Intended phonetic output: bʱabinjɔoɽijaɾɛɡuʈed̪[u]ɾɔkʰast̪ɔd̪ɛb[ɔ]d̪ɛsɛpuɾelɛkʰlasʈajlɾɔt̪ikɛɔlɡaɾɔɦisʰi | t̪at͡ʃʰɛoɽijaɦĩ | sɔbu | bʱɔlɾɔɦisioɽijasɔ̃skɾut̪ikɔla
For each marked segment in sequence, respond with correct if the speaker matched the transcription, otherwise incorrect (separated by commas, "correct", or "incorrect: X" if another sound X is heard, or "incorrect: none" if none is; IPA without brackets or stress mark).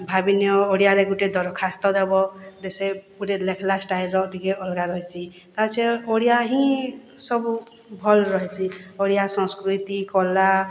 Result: incorrect: ɔ, correct